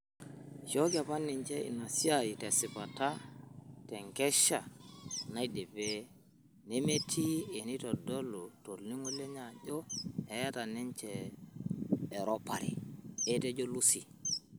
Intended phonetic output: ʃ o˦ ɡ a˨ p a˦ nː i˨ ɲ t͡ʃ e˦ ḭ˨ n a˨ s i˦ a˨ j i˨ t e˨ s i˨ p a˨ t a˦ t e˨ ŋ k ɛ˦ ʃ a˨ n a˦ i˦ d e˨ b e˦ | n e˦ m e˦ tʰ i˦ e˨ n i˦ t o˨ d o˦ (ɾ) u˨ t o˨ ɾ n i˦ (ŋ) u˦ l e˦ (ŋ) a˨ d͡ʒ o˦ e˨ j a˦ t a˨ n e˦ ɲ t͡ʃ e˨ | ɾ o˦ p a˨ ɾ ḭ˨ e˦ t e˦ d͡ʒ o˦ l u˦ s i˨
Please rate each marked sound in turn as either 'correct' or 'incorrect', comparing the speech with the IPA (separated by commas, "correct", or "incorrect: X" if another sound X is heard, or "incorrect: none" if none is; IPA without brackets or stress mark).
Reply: incorrect: l, correct, incorrect: ɲ